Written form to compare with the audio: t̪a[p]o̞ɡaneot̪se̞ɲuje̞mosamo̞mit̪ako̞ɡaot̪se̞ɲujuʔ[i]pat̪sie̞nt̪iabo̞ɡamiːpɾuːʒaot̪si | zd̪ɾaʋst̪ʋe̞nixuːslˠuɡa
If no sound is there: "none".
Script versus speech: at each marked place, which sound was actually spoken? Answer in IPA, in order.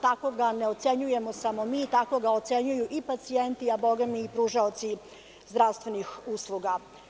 k, i

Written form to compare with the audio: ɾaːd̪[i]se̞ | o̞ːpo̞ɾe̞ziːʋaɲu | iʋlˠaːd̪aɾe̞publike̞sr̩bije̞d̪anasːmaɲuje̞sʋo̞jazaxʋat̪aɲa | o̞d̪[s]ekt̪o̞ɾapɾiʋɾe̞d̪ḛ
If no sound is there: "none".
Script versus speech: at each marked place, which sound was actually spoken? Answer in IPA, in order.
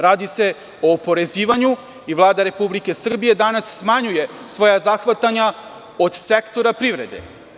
i, s

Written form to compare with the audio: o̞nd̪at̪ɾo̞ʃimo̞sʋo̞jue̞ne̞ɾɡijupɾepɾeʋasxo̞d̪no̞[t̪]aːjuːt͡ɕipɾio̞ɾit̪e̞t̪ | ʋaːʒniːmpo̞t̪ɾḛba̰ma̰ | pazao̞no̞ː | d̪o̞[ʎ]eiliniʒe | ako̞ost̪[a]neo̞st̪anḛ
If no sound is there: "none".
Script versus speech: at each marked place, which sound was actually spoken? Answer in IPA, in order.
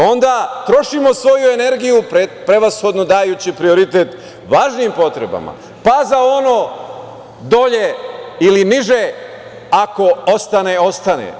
d̪, ʎ, a

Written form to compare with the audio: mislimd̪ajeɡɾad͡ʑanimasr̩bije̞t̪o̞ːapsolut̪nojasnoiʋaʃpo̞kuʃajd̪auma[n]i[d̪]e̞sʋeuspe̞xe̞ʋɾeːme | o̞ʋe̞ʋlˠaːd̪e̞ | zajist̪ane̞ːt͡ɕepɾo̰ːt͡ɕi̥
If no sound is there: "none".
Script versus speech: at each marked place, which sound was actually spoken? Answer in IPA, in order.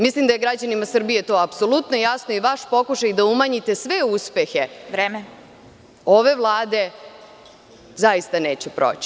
ɲ, t̪

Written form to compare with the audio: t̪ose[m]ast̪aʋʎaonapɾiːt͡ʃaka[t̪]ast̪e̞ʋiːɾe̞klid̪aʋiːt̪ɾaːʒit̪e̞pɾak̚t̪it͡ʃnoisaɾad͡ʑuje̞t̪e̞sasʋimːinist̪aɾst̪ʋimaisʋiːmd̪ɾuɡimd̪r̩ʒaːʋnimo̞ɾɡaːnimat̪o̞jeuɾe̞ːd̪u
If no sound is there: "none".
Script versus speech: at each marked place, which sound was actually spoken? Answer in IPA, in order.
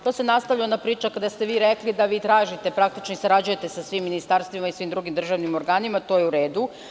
n, d̪

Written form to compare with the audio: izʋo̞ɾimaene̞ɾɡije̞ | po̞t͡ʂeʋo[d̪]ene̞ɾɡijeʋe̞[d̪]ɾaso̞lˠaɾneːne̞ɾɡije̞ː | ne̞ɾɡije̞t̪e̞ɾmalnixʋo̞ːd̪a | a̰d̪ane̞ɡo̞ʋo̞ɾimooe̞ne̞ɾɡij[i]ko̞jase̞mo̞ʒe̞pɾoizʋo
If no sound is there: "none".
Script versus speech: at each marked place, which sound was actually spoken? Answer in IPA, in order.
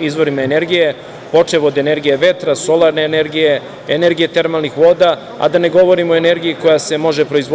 d̪, t̪, i

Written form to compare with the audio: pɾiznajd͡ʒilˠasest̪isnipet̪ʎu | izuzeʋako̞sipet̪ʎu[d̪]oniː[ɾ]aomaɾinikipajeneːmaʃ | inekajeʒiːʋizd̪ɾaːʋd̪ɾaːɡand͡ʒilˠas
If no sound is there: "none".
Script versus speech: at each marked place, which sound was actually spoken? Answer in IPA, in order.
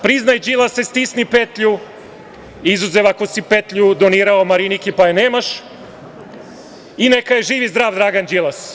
d̪, ɾ

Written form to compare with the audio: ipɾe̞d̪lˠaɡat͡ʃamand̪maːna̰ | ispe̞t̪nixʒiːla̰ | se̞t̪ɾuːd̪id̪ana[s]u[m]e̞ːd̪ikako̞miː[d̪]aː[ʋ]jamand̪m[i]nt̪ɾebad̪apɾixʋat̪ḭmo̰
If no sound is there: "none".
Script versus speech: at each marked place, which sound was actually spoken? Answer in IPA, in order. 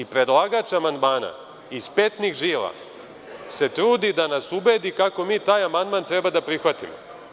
s, b, t̪, none, a

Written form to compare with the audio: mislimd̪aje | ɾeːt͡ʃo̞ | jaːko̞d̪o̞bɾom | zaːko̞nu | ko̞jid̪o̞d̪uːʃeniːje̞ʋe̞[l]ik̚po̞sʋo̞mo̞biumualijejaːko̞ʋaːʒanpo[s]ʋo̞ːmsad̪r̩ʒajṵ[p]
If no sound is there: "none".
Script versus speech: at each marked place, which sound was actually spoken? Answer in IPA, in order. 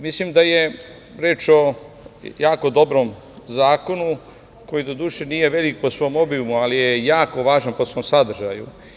l, s, none

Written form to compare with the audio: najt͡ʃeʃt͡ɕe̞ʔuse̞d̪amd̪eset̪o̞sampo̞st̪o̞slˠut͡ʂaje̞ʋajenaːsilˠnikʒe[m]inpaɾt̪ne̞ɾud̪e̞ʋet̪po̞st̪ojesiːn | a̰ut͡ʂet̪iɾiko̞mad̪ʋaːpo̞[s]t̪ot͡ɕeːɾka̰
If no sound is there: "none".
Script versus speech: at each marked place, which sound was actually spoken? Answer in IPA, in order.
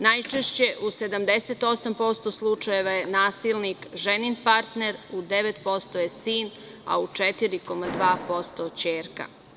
n, s

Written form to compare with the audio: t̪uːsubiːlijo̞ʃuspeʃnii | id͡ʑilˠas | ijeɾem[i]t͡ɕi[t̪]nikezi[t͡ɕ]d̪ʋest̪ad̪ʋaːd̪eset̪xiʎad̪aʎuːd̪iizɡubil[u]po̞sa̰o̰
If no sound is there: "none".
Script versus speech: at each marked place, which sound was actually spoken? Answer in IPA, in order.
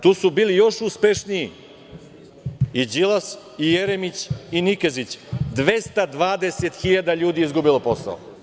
i, none, t͡ɕ, o

